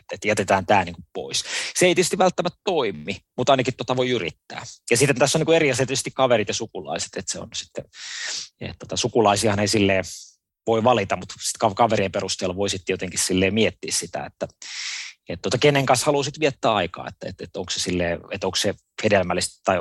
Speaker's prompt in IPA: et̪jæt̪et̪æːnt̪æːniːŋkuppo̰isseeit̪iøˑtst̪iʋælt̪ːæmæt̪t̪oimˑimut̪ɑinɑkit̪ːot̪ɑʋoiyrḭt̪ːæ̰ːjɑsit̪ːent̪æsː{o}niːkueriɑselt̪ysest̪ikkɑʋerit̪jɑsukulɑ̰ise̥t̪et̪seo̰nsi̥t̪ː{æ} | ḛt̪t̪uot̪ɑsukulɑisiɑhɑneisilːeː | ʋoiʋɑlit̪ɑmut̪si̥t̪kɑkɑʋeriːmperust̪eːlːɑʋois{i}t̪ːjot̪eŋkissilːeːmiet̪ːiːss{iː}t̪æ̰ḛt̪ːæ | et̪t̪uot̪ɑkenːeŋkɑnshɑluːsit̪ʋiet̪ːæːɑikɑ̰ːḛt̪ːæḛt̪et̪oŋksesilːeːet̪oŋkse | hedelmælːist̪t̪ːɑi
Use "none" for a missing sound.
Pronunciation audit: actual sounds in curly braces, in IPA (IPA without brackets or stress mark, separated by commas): o, e, i, i